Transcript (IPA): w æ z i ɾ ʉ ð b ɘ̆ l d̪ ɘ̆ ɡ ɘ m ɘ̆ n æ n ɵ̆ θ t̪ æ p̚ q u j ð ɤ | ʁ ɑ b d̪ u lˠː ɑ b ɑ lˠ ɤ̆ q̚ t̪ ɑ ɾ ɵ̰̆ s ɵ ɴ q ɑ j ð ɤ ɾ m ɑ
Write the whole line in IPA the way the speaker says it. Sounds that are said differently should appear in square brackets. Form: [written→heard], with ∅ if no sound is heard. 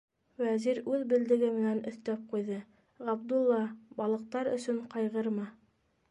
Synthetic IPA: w æ z i ɾ ʉ ð b ɘ̆ l d̪ ɘ̆ ɡ ɘ m ɘ̆ n æ n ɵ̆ θ t̪ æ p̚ q u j ð ɤ | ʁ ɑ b d̪ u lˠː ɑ b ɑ lˠ ɤ̆ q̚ t̪ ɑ ɾ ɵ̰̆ s ɵ ɴ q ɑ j [ð→ʁ] ɤ ɾ m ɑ